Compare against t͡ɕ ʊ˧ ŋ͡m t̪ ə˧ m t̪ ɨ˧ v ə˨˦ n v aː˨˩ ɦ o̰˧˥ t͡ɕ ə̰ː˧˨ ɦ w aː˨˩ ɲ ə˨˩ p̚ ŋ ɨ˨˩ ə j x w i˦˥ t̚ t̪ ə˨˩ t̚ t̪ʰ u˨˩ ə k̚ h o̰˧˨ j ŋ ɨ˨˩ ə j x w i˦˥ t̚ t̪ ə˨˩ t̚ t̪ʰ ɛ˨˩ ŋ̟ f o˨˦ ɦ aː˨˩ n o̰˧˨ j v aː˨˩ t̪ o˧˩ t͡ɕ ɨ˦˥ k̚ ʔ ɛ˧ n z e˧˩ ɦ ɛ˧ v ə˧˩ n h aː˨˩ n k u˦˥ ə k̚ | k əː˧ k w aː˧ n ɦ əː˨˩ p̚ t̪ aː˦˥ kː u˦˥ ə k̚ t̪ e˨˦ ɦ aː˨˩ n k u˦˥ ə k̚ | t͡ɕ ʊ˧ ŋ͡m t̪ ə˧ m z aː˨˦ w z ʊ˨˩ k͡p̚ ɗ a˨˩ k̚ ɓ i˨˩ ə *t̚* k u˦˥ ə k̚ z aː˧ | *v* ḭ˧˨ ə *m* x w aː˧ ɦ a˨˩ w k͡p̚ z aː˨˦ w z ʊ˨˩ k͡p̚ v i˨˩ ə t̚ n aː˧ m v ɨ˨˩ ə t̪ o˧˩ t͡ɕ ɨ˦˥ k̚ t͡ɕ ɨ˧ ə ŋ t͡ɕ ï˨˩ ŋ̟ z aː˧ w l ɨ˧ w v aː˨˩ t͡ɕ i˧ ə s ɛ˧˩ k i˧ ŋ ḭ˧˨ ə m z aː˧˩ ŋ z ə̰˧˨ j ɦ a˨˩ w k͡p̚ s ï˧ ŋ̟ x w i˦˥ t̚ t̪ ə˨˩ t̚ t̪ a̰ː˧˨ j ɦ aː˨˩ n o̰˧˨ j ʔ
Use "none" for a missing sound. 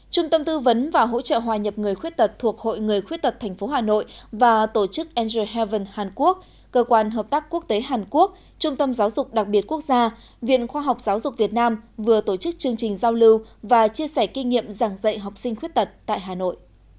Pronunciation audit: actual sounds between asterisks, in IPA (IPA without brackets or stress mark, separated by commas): t̚, v, n